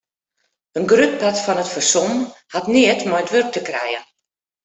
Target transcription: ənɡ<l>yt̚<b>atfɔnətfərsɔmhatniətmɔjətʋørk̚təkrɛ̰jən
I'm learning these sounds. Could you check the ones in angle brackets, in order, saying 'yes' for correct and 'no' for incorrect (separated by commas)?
no, no